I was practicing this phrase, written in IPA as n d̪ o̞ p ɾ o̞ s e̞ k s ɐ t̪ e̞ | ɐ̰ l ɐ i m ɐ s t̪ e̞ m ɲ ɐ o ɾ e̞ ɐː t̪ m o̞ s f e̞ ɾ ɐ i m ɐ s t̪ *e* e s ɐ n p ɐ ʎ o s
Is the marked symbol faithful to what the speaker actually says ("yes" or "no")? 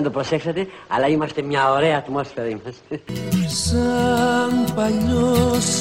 yes